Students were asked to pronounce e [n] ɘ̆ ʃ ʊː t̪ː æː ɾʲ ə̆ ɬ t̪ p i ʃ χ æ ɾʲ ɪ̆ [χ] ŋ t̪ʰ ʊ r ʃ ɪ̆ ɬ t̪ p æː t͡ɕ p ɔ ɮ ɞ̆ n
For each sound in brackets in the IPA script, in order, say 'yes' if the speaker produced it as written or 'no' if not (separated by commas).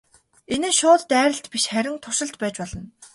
yes, no